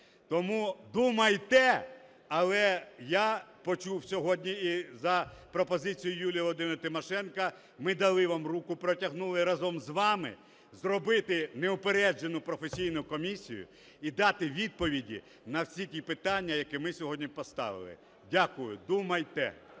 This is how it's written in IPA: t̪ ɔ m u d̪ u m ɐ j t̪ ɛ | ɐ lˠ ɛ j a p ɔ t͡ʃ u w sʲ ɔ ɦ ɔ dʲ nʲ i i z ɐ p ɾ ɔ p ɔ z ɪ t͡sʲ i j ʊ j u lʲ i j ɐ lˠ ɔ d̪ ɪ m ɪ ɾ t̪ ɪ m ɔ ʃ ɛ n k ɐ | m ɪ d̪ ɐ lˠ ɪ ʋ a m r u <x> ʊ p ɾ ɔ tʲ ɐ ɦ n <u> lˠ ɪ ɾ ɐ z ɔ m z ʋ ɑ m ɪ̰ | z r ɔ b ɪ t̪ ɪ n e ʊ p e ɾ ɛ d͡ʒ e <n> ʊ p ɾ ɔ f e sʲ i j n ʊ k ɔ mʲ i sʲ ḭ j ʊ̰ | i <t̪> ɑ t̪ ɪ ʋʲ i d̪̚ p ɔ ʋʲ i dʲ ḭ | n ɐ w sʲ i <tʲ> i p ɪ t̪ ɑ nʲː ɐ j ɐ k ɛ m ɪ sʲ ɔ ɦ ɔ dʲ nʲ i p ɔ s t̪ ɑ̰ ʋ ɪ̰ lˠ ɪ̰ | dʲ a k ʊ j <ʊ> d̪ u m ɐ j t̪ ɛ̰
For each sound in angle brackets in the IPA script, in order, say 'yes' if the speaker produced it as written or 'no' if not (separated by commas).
no, yes, yes, no, yes, yes